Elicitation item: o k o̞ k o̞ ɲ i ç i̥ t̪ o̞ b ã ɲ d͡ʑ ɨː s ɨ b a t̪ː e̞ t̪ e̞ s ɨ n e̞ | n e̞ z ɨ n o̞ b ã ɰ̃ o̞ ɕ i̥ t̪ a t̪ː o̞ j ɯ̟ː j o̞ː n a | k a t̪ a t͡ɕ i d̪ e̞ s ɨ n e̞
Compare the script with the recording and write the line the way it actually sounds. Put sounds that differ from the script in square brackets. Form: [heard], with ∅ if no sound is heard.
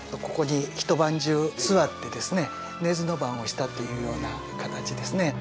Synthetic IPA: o k o̞ k o̞ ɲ i ç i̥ t̪ o̞ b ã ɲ d͡ʑ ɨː s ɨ [β] a t̪ː e̞ [d̪] e̞ s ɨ n e̞ | n e̞ z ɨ n o̞ b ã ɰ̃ o̞ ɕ i̥ t̪ a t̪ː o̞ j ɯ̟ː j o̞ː n a | k a t̪ a t͡ɕ i d̪ e̞ s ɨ n e̞